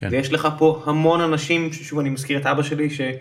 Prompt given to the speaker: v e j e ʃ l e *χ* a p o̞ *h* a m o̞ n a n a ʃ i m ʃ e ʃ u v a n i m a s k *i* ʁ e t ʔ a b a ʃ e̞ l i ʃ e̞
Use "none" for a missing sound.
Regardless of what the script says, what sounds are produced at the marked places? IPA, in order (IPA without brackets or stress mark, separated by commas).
χ, h, i